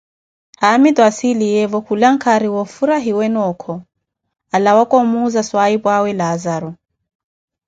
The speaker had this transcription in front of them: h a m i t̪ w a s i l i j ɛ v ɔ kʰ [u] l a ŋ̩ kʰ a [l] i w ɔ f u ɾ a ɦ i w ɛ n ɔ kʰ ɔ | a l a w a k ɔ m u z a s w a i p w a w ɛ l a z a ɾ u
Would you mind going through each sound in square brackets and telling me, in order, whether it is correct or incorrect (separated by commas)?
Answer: correct, incorrect